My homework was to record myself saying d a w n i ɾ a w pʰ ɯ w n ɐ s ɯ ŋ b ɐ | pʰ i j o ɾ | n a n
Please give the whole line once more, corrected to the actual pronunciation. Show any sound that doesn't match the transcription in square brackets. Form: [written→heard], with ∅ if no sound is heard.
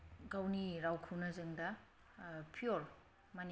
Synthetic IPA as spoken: [d→ɡ] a w n i ɾ a w [pʰ→kʰ] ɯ w n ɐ [s→z] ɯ ŋ [b→d] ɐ | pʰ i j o ɾ | [n→m] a n

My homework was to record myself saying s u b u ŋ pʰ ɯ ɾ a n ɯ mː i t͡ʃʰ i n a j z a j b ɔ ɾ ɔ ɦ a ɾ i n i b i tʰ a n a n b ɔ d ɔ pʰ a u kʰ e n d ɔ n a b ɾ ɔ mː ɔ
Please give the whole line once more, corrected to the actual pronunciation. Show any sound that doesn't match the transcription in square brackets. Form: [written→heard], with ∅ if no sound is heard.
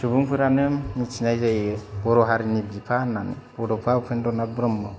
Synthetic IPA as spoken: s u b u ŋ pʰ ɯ ɾ a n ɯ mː i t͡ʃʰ i n a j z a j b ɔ ɾ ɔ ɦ a ɾ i n i b i [tʰ→pʰ] a n a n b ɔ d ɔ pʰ a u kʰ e n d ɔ n a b ɾ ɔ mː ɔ

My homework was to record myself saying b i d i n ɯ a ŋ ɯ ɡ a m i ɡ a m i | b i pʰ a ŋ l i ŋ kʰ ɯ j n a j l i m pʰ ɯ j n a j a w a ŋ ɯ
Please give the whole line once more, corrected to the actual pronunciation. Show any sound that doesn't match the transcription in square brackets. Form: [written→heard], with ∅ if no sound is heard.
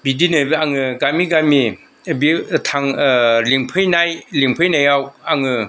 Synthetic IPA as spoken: b i d i n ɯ a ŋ ɯ ɡ a m i ɡ a m i | b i [pʰ→tʰ] a ŋ l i ŋ [kʰ→pʰ] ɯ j n a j l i [m→ŋ] pʰ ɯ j n a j a w a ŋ ɯ

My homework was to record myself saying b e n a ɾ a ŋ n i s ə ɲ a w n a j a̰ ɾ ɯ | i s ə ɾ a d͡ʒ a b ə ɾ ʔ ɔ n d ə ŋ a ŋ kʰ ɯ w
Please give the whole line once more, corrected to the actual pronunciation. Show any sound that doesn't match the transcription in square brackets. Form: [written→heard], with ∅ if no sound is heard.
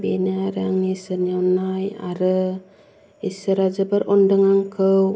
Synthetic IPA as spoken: b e n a ɾ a ŋ n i s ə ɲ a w n a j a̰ ɾ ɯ | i s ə ɾ a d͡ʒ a b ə ɾ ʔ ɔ n d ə ŋ a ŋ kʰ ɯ w

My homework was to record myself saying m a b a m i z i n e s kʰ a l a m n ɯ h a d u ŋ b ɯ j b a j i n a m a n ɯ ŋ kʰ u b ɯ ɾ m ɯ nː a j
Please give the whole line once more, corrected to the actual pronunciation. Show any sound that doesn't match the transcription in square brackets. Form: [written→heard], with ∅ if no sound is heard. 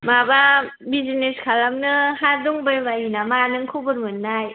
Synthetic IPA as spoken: m a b a [m→b] i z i n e s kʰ a l a m n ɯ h a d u ŋ b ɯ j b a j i n a m a n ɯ ŋ kʰ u b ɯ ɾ m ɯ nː a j

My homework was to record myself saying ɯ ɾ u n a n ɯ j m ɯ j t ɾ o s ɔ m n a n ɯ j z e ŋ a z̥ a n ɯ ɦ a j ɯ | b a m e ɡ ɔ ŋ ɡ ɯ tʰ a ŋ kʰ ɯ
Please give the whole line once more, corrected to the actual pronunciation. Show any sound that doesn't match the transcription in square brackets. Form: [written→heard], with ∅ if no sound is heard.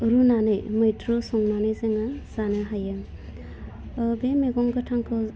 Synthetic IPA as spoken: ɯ ɾ u n a n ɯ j m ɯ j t ɾ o s ɔ [m→ŋ] n a n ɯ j z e ŋ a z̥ a n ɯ ɦ a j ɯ | b [a→e] m e ɡ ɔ ŋ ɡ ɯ tʰ a ŋ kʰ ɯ

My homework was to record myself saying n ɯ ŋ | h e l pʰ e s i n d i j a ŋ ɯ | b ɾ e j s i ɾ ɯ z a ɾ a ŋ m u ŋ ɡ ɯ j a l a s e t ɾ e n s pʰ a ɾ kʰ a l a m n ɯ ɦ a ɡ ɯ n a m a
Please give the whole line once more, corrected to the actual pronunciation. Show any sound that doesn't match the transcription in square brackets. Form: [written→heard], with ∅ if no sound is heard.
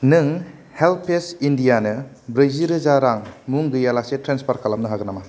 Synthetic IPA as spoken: n ɯ ŋ | h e l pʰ e s i n d i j a [ŋ→n] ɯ | b ɾ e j [s→z] i ɾ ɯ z a ɾ a ŋ m u ŋ ɡ ɯ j a l a s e t ɾ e n s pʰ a ɾ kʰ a l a m n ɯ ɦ a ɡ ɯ n a m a

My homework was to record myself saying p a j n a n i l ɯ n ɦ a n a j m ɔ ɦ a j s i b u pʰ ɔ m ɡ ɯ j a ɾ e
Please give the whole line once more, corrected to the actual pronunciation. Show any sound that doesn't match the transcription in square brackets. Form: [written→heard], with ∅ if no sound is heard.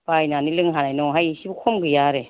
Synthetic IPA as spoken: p a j n a n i l ɯ [n→ŋ] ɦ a n a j [m→n] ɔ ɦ a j s i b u [pʰ→kʰ] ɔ m ɡ ɯ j a ɾ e

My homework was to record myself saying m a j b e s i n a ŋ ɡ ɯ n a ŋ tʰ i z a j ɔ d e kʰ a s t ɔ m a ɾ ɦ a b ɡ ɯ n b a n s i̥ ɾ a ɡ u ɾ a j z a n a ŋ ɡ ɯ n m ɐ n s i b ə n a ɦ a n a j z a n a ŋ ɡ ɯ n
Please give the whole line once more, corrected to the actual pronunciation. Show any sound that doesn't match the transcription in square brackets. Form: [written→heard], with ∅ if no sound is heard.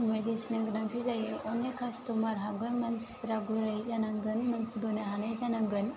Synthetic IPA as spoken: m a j [b→d] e s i n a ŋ ɡ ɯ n a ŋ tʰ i z a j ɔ [d→n] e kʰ a s t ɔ m a ɾ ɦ a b ɡ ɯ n [b→m] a n s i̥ ɾ a ɡ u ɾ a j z a n a ŋ ɡ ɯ n m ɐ n s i b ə n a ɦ a n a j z a n a ŋ ɡ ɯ n

